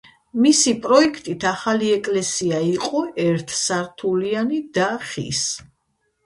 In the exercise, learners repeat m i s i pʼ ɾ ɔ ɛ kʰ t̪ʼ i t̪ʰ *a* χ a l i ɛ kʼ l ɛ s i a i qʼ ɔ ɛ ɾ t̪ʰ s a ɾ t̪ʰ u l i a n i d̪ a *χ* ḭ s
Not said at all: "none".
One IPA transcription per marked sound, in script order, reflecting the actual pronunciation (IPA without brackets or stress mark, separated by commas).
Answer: a, χ